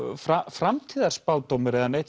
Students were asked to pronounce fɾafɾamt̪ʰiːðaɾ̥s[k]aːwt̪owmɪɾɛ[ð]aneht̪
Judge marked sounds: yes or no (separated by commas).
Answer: no, yes